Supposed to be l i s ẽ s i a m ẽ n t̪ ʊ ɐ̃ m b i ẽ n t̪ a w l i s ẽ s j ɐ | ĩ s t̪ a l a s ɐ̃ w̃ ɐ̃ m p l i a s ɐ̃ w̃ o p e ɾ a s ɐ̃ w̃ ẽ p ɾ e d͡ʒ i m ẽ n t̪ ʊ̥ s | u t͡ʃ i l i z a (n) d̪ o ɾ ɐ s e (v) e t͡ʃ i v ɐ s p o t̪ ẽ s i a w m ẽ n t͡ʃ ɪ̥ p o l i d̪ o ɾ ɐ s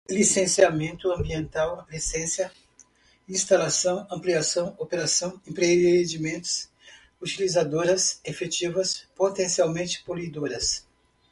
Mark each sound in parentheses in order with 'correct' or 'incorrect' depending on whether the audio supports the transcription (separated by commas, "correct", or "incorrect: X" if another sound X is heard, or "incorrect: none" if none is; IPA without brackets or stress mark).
incorrect: none, incorrect: f